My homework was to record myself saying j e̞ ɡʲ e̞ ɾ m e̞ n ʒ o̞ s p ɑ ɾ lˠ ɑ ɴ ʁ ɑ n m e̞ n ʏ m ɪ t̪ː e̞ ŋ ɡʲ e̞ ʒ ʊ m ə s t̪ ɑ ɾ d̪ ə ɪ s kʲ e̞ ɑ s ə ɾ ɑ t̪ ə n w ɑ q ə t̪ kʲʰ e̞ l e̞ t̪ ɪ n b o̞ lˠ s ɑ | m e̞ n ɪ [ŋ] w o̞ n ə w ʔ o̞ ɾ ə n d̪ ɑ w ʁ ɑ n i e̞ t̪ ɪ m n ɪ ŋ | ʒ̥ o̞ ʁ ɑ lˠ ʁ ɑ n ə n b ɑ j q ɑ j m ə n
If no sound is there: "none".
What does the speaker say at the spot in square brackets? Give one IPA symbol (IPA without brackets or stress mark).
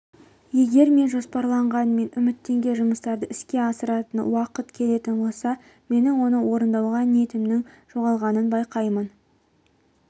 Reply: ŋ